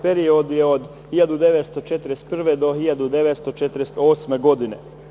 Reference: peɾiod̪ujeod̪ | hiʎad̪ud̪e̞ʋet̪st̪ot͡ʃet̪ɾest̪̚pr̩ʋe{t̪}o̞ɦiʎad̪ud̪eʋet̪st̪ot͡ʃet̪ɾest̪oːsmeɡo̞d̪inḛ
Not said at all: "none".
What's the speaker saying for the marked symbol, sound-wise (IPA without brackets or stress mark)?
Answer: d̪